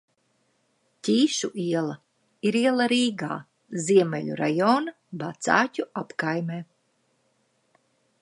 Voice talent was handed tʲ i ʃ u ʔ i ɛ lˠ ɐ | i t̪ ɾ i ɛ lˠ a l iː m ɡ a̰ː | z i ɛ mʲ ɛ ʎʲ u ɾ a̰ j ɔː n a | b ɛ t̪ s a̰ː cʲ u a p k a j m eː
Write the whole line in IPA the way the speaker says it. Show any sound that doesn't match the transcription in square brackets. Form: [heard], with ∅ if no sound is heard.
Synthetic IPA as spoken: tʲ [iː] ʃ u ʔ i ɛ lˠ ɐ | i [∅] ɾ i ɛ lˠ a [ɾ] iː [∅] ɡ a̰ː | z i ɛ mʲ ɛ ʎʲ u ɾ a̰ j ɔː n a | b [a] t̪ s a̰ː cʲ u a p k a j m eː